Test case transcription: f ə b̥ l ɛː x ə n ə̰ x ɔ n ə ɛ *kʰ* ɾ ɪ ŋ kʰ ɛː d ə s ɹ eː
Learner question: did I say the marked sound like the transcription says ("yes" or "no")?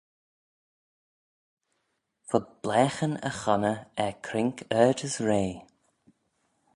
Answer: yes